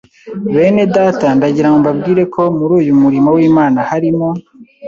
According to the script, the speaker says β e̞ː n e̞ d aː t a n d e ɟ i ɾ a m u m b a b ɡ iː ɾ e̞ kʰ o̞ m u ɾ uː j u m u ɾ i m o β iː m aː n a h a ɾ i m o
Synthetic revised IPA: β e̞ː n e̞ d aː t a n d a ɟ i ɾ a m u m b a b ɡ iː ɾ e̞ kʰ o̞ m u ɾ uː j u m u ɾ i m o w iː m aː n a h a ɾ i m o